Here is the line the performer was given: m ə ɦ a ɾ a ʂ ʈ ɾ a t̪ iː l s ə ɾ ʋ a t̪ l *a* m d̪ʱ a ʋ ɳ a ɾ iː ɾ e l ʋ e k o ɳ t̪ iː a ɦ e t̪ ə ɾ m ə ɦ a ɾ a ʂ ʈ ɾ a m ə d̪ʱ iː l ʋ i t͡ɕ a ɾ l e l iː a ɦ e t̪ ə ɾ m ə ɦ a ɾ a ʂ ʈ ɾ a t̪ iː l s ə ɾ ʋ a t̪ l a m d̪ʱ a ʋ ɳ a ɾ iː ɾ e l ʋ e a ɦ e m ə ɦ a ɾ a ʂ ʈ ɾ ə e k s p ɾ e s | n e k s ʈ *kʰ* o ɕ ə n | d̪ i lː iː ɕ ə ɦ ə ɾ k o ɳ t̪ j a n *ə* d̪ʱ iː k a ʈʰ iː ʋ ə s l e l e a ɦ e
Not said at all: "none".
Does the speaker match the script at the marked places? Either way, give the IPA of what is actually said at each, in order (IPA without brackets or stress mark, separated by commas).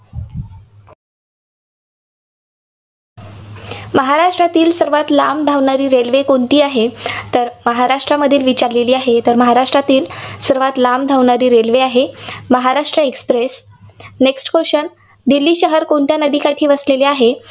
a, k, ə